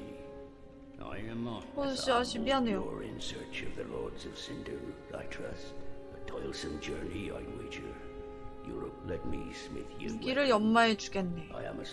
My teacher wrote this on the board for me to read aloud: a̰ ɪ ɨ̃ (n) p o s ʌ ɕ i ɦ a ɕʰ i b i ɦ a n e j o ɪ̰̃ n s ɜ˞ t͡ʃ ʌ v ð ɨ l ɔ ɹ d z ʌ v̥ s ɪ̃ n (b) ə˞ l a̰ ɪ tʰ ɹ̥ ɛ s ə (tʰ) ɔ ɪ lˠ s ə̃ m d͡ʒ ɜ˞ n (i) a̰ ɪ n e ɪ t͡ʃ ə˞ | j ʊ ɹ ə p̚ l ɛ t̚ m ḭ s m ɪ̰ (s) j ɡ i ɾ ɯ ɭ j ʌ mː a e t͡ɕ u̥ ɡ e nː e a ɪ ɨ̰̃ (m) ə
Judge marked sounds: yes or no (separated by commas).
no, no, yes, yes, no, yes